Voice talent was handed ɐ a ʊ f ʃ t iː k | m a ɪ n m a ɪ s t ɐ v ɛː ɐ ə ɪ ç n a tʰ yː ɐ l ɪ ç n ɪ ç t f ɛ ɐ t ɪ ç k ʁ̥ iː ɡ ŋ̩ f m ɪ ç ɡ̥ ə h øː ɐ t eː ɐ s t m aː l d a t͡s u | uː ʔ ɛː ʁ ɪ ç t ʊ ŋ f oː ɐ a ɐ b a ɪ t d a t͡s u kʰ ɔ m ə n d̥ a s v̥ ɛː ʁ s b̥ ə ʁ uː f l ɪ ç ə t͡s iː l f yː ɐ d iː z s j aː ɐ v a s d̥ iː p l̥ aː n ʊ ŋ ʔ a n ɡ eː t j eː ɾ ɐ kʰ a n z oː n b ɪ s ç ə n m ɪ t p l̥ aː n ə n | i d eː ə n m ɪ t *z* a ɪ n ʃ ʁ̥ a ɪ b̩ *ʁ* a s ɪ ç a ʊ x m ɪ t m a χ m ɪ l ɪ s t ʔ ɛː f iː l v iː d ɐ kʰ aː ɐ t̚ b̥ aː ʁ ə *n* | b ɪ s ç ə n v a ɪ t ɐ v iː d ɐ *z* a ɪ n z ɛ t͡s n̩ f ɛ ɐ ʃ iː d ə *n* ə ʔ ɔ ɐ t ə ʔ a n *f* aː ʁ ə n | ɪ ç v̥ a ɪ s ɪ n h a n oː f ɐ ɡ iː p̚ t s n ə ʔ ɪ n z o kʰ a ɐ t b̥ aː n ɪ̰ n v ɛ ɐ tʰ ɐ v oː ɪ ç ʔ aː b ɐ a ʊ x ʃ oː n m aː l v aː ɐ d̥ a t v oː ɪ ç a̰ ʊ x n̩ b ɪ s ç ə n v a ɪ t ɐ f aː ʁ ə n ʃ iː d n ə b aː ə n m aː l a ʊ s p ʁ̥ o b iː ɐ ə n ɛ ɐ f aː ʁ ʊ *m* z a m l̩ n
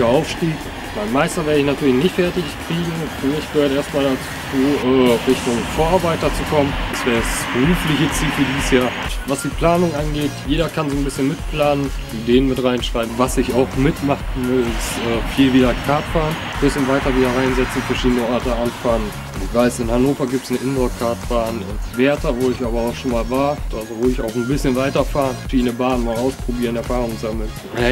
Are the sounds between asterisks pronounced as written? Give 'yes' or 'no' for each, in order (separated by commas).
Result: no, no, yes, no, yes, yes, no